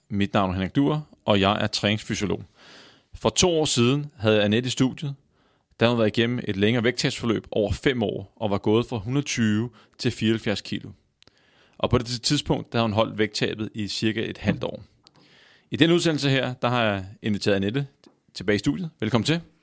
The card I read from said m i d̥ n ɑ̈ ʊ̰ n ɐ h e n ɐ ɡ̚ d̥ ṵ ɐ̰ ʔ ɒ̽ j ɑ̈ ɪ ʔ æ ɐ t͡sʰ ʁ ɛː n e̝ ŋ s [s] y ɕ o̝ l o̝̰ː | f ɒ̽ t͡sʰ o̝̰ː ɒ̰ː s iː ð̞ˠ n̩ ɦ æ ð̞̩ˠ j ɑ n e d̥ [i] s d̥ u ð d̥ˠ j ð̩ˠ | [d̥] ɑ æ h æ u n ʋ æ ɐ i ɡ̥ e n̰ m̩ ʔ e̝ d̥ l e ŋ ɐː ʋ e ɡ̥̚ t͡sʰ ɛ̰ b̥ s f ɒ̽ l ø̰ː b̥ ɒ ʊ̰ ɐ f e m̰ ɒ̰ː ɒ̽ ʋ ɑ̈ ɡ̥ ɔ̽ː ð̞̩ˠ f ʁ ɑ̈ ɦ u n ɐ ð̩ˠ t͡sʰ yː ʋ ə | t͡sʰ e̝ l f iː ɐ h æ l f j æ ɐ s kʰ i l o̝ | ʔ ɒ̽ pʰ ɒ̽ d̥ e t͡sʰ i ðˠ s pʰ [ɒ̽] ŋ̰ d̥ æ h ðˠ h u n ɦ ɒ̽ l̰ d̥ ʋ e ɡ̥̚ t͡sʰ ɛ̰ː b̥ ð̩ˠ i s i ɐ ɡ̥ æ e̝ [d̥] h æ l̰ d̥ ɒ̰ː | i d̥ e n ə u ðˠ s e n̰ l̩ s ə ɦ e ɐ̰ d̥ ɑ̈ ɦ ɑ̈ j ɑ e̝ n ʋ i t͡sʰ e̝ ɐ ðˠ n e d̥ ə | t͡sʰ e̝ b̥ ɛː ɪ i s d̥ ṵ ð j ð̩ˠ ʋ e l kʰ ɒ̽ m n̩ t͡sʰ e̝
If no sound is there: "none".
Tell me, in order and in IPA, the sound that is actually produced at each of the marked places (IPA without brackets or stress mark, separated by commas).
f, i, d̥, ɔ̽, d̥